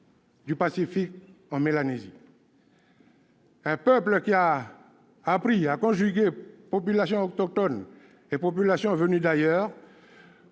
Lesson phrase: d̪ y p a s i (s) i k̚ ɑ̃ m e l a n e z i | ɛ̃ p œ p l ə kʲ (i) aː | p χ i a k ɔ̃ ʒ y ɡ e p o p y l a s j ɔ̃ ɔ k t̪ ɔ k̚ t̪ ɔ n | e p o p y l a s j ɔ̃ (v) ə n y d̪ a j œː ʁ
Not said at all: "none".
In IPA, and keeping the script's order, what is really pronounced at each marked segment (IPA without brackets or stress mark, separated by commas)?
f, i, v